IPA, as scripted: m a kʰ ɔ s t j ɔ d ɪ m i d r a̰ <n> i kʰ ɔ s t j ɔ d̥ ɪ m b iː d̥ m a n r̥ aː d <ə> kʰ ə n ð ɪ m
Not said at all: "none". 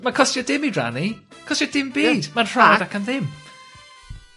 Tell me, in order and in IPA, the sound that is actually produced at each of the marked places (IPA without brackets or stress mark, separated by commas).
n, a